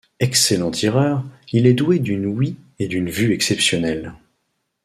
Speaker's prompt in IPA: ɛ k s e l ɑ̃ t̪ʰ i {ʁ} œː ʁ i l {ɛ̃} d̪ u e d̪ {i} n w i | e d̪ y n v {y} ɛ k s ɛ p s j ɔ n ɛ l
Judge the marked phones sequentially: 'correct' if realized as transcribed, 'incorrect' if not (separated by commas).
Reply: correct, incorrect, incorrect, correct